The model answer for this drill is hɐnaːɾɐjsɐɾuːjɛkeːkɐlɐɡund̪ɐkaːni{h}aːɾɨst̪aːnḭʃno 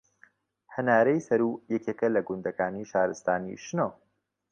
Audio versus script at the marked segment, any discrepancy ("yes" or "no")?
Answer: yes